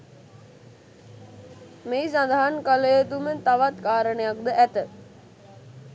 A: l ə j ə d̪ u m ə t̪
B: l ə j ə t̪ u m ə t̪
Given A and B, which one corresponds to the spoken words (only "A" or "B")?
B